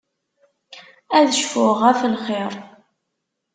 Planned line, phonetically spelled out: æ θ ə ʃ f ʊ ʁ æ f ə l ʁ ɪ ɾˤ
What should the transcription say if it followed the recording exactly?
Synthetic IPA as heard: æ ð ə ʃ f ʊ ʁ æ f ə l χ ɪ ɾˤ